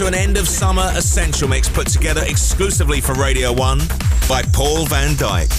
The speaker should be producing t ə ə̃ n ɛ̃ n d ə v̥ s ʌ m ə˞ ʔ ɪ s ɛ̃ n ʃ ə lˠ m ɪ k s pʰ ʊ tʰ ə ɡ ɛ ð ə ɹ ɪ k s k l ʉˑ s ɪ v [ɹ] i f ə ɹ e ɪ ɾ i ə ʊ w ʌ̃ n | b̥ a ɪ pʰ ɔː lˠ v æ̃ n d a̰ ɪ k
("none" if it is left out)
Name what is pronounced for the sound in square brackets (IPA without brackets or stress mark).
l